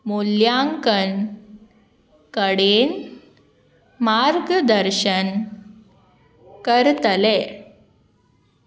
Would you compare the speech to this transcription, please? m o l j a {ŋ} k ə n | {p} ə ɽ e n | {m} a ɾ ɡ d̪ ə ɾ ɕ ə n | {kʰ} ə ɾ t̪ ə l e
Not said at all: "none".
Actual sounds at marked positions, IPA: ŋ, k, m, k

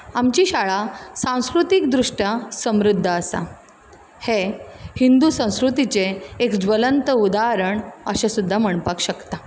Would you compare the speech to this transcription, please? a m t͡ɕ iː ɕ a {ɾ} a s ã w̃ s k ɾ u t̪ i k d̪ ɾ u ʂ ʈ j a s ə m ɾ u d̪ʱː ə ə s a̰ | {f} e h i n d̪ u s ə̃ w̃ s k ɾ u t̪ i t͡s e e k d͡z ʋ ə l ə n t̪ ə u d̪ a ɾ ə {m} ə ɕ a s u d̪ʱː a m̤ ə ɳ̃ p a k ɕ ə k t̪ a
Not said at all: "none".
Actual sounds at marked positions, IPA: ɭ, h, ɳ

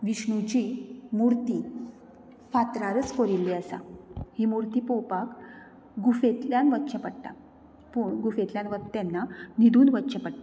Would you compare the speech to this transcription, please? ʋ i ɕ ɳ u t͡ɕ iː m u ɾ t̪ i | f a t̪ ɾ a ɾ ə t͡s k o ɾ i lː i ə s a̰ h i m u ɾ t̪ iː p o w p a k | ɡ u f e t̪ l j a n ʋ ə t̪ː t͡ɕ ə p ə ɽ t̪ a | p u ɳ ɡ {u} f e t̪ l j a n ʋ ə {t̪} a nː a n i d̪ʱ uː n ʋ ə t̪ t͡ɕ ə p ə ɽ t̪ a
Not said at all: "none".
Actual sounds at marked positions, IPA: u, t̪

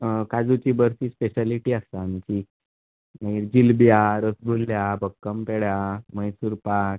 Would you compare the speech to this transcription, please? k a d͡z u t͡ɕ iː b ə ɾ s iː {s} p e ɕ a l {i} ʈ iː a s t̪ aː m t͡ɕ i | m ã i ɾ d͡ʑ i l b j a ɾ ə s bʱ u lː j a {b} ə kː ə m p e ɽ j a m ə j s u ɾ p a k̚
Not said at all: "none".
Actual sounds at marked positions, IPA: s, i, b

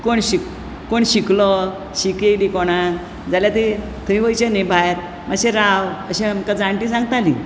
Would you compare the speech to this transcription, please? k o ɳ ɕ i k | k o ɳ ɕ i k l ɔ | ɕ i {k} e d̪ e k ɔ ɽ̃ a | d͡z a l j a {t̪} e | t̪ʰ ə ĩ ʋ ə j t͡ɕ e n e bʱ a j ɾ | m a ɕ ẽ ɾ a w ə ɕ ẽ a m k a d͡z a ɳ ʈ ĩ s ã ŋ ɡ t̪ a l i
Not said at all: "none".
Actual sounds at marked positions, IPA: k, t̪

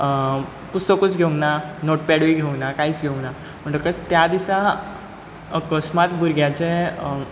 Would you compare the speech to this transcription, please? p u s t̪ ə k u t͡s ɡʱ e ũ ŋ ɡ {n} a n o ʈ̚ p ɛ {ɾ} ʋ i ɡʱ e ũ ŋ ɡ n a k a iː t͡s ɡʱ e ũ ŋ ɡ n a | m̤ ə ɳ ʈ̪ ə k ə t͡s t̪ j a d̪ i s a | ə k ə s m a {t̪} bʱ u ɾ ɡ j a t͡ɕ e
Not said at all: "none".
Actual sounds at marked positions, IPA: n, ɽ, t̪

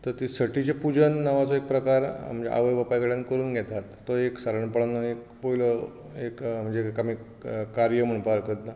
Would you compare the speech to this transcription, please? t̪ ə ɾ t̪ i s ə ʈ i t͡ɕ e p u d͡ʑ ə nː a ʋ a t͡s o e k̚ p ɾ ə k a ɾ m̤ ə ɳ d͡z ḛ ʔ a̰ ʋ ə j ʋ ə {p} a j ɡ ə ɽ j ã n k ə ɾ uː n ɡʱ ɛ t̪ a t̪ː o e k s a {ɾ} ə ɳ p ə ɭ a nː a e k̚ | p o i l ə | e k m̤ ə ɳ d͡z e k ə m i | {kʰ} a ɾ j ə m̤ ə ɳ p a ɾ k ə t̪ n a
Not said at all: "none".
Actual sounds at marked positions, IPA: p, ɾ, k

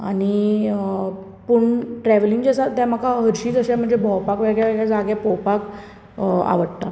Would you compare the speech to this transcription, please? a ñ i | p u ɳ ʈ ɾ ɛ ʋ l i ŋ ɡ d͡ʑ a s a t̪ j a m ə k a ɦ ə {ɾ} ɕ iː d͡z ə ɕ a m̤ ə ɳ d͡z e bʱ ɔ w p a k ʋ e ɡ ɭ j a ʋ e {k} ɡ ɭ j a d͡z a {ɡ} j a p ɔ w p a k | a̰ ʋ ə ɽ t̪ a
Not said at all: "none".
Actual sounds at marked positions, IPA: ɾ, none, ɡ

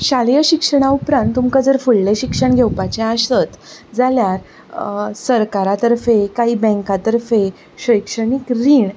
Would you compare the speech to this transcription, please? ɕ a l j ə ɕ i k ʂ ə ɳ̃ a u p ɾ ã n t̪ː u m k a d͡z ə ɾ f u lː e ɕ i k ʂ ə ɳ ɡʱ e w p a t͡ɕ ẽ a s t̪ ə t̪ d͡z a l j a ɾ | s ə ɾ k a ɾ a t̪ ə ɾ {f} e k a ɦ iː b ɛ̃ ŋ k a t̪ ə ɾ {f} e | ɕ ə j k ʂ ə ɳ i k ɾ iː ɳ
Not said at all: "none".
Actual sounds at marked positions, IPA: f, f

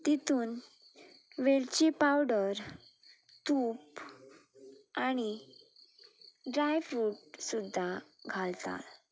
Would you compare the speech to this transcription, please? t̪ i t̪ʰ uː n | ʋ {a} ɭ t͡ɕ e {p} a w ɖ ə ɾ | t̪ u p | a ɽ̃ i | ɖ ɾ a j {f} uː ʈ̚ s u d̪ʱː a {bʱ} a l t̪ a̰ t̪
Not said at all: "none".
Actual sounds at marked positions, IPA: e, p, f, ɡʱ

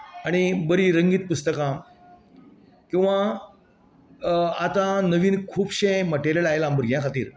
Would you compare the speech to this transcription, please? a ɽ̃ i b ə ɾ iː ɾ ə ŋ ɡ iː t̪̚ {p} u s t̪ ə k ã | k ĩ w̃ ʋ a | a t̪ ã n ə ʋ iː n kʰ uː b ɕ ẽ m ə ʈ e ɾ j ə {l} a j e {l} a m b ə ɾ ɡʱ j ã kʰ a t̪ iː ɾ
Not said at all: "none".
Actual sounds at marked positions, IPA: p, l, l

